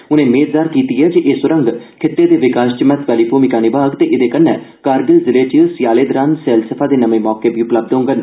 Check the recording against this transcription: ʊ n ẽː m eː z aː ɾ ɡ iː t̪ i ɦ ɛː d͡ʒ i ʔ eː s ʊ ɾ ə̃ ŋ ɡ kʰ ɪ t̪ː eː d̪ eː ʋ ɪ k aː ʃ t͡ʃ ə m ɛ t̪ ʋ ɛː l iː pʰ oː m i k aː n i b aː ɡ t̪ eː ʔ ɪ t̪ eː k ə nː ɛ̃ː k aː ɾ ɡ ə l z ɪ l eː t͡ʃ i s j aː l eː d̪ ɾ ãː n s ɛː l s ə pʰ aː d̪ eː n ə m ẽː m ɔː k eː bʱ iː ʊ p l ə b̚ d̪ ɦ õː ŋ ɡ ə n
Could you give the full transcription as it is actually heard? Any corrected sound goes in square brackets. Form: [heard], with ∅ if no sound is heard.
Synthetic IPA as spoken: ʊ n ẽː m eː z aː ɾ [k] iː t̪ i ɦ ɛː d͡ʒ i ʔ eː s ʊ ɾ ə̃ ŋ ɡ kʰ ɪ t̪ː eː d̪ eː ʋ ɪ k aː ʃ t͡ʃ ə m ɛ t̪ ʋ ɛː l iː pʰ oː m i k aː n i b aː ɡ t̪ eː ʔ ɪ [d̪] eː k ə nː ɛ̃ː k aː ɾ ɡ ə l z ɪ l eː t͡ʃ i s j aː l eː d̪ ɾ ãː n s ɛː l s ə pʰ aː d̪ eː n ə m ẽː m ɔː k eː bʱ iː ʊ p l ə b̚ d̪ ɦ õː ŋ ɡ ə n